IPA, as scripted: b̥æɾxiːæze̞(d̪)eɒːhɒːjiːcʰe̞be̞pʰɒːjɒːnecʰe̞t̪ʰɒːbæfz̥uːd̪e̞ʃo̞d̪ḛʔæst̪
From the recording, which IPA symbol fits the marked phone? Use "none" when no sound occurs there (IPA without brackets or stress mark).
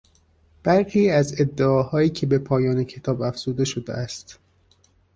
d̪ː